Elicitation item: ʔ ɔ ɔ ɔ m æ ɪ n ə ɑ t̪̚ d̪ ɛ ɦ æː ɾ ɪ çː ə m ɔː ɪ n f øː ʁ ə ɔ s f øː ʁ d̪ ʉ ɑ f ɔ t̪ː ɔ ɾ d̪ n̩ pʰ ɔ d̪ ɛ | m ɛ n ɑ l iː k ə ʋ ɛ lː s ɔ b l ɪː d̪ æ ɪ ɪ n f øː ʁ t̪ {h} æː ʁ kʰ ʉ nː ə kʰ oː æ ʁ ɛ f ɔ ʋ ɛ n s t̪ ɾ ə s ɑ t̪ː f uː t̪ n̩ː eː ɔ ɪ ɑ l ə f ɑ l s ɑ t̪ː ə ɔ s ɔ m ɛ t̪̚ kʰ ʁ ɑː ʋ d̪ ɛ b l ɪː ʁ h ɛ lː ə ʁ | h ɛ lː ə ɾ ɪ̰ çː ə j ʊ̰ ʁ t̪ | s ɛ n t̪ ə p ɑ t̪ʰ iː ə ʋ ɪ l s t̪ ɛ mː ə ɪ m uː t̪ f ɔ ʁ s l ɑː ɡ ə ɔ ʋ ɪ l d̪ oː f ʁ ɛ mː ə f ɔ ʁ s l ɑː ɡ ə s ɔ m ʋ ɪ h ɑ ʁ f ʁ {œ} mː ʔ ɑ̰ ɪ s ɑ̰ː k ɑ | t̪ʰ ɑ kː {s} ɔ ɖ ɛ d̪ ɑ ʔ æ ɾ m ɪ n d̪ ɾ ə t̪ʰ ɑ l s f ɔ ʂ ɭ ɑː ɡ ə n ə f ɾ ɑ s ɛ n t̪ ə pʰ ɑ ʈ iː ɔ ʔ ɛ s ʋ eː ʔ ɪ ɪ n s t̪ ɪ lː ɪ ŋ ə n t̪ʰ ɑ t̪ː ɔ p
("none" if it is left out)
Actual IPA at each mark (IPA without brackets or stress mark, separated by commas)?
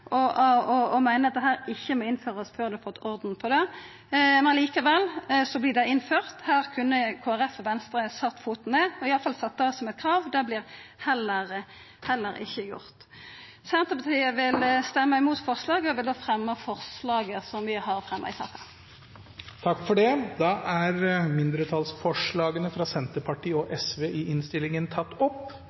h, ɛ, f